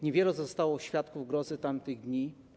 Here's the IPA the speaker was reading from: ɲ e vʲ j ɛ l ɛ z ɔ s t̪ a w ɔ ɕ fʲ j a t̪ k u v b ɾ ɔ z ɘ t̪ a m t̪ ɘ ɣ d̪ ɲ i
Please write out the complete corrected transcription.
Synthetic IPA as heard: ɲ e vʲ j ɛ l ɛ z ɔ s t̪ a w ɔ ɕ fʲ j a t̪ k u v ɡ ɾ ɔ z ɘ t̪ a m t̪ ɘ ɣ d̪ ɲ i